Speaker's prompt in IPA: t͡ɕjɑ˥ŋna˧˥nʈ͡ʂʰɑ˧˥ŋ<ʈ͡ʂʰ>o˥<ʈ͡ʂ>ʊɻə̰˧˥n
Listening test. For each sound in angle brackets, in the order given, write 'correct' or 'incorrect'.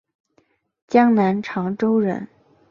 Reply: incorrect, incorrect

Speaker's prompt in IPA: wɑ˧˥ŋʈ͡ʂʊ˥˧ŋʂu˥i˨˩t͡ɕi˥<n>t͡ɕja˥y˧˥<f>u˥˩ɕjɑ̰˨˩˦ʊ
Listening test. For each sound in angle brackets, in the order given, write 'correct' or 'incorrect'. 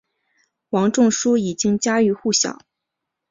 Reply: incorrect, incorrect

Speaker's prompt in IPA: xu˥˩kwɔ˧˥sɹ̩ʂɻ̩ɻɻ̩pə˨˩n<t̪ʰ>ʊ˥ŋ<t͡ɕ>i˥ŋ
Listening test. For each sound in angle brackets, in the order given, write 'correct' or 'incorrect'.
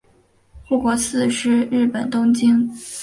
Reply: incorrect, correct

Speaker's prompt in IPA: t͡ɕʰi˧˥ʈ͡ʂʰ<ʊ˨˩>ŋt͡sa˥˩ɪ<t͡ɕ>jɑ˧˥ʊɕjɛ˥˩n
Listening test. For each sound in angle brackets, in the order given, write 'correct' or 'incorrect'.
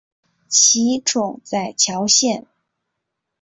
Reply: correct, incorrect

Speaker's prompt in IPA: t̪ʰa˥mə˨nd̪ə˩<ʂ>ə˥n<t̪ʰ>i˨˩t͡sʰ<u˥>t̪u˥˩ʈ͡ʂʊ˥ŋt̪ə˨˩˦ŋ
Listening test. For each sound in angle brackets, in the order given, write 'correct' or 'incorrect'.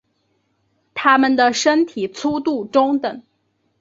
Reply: correct, correct, correct

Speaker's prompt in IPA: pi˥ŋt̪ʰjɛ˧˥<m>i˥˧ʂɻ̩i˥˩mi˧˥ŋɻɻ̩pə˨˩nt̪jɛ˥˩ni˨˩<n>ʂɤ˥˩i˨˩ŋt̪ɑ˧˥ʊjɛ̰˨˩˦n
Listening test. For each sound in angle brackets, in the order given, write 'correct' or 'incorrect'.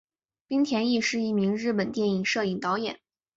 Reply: incorrect, incorrect

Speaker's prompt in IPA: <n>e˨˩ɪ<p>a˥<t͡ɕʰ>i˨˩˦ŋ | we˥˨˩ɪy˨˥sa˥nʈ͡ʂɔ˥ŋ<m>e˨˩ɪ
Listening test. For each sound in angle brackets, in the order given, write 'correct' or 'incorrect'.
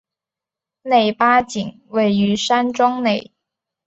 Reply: correct, correct, incorrect, incorrect

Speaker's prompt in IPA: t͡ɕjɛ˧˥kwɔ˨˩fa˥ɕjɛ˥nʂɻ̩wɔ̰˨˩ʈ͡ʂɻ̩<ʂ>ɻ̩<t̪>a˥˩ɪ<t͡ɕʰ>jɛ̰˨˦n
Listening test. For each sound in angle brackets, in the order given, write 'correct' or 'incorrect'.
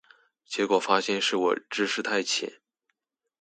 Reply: correct, incorrect, correct

